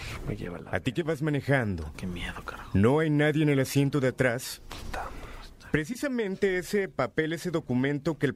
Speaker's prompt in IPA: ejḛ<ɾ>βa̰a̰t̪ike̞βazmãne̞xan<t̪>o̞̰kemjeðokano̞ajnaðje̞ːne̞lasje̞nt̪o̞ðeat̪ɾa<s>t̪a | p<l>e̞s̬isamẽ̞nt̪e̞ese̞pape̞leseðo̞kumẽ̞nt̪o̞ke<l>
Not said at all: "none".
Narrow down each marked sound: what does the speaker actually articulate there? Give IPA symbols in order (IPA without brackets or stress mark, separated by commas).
none, d̪, s, ɾ, l